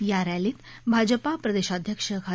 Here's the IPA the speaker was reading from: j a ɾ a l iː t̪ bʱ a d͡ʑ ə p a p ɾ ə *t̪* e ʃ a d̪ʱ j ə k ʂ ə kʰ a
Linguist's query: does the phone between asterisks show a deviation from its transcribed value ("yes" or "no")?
yes